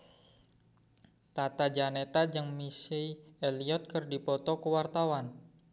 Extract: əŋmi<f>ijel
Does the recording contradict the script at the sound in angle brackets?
yes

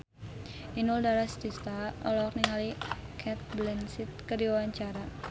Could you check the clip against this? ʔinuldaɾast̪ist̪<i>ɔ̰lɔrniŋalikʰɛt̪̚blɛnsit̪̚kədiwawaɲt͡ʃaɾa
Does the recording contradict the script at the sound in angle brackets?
yes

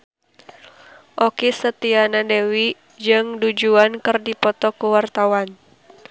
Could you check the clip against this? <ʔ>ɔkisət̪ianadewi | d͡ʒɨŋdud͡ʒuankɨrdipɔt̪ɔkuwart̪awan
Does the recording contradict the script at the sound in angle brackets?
no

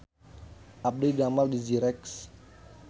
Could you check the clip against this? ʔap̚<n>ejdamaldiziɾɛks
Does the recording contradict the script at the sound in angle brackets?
yes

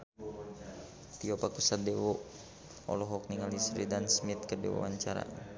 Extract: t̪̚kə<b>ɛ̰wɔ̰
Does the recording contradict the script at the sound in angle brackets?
yes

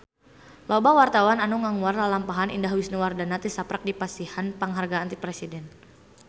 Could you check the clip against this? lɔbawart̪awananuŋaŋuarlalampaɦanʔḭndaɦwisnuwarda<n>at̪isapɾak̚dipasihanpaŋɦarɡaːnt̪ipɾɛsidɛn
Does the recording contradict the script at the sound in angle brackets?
no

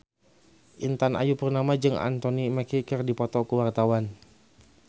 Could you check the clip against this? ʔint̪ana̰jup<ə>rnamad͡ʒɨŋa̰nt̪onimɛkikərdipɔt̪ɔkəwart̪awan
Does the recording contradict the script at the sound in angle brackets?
no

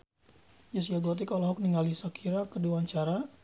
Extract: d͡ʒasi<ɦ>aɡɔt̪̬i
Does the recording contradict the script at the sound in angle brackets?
yes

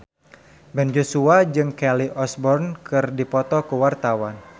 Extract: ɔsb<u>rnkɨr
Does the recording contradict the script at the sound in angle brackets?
yes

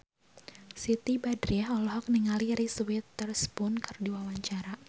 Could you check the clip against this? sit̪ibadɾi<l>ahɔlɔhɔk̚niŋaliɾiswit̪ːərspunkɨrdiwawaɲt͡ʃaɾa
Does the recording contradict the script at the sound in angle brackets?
yes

